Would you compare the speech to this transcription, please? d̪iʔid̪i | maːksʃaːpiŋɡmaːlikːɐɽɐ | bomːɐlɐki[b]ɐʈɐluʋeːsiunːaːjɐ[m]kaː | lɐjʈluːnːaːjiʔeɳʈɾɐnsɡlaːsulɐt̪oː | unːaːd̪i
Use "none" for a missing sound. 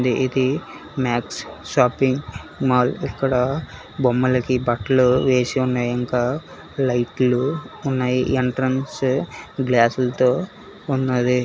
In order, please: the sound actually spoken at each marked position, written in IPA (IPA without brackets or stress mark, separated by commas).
b, ŋ